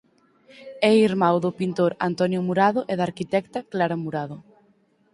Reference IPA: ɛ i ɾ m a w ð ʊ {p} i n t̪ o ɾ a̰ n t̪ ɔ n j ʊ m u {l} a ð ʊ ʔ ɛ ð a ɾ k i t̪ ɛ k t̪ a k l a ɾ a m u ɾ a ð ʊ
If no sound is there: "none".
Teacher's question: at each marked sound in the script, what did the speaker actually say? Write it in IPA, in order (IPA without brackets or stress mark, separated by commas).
p, ɾ